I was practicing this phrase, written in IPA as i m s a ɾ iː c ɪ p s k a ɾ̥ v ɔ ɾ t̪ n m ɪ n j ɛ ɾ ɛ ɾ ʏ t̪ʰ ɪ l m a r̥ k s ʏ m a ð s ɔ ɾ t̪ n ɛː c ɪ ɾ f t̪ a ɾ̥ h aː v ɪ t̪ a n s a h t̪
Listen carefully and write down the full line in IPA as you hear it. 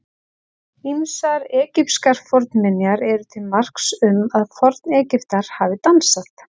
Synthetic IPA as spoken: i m s a ɾ ɛː c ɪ p s k a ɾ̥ f ɔ ɾ t̪ n m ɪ n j a ɾ ɛ ɾ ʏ t̪ʰ ɪ l m a r̥ k s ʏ m a ð f ɔ ɾ t̪ n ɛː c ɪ f t̪ a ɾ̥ h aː v ɪ t̪ a n s a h t̪